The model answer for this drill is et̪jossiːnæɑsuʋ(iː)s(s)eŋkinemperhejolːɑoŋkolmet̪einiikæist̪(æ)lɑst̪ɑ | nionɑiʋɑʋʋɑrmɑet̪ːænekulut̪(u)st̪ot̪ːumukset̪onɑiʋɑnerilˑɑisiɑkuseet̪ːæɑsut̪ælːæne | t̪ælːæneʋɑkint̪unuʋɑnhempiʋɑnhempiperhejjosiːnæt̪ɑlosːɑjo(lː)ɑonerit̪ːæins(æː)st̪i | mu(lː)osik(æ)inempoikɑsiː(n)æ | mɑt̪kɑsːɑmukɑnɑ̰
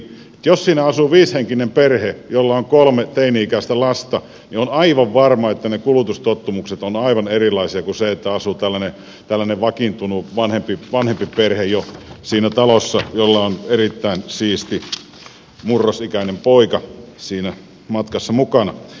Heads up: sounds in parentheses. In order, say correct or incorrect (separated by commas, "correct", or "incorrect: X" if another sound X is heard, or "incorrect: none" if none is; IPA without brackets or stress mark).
correct, incorrect: h, correct, correct, correct, incorrect: iː, incorrect: rː, correct, correct